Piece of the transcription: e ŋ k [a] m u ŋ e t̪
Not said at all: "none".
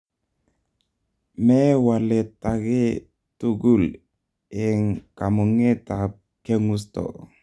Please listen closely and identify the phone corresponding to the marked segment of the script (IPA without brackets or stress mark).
a